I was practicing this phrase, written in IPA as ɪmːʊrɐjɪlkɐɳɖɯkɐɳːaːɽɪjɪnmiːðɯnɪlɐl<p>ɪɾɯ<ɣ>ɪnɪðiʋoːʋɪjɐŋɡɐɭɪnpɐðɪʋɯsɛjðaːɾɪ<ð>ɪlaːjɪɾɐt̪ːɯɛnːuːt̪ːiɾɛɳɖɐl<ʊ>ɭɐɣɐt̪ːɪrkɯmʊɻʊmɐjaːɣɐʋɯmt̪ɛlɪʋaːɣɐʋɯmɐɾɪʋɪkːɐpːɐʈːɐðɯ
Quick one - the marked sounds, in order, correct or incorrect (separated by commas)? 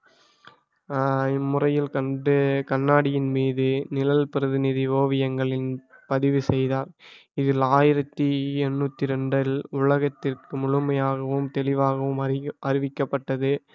correct, incorrect, correct, correct